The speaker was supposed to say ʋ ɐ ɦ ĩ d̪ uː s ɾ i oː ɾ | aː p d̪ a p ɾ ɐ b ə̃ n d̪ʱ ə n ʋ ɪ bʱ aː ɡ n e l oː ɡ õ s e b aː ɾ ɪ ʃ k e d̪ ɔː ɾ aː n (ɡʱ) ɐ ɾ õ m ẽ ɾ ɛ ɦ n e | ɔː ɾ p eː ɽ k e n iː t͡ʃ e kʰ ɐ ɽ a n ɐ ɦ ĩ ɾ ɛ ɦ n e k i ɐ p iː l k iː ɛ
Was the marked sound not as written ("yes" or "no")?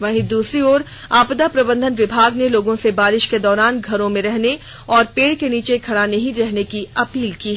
no